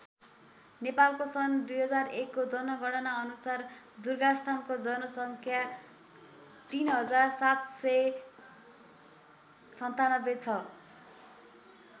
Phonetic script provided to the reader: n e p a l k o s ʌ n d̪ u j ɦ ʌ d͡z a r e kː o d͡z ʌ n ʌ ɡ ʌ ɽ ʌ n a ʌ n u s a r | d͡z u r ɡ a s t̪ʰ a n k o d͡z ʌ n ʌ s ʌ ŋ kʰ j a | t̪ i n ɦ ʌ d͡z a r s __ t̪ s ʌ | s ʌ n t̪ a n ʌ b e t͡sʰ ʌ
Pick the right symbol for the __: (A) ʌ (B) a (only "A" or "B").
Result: B